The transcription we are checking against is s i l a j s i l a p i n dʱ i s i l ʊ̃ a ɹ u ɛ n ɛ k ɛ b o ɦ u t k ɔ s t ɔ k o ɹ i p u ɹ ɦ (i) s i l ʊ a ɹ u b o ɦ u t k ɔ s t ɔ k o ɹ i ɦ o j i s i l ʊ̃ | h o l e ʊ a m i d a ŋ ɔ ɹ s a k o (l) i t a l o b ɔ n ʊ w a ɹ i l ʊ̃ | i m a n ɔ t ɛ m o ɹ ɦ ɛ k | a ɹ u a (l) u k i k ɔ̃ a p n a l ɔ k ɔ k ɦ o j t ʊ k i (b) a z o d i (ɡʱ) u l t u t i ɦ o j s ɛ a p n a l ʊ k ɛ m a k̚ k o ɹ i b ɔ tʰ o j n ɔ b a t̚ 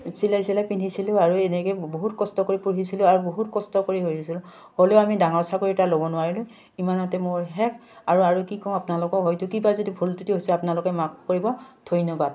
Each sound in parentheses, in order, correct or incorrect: correct, incorrect, incorrect, correct, incorrect

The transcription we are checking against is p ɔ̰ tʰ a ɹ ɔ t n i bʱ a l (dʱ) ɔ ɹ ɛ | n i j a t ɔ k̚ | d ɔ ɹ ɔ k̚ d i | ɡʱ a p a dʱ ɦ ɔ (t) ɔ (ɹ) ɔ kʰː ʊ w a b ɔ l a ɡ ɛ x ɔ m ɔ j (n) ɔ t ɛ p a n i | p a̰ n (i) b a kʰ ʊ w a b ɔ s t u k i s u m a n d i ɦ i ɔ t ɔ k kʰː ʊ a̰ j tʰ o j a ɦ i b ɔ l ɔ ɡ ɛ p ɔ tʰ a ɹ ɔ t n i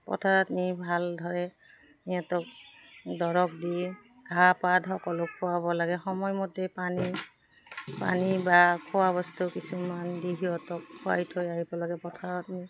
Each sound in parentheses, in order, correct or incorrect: correct, incorrect, incorrect, incorrect, correct

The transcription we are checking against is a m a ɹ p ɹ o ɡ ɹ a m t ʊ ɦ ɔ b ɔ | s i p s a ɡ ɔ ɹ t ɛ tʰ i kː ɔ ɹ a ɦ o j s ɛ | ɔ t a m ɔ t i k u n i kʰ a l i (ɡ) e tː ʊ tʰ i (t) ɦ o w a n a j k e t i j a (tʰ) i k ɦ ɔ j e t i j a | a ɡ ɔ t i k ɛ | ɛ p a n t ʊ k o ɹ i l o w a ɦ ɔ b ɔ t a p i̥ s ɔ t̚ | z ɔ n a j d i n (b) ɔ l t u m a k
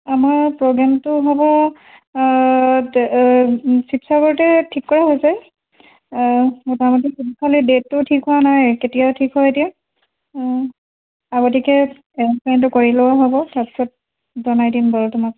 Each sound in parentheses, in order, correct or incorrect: incorrect, incorrect, correct, correct

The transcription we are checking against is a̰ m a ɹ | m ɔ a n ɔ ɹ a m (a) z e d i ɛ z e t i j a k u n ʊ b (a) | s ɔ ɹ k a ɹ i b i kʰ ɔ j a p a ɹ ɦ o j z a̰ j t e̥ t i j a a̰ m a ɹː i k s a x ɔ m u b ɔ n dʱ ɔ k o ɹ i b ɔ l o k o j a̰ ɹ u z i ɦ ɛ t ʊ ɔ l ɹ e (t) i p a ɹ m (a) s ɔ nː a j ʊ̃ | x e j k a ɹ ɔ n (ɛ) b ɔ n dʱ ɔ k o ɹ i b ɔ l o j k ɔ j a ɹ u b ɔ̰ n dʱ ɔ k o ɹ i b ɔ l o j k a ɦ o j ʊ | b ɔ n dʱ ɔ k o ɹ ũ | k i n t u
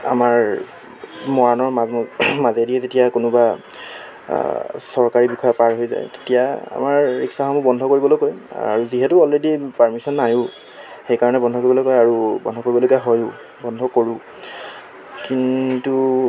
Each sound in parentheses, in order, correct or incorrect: correct, correct, incorrect, incorrect, correct

